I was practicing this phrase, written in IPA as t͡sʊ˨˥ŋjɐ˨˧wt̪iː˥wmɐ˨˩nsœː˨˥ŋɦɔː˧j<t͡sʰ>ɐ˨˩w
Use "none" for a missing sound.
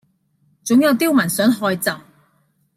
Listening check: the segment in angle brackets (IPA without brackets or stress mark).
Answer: t͡s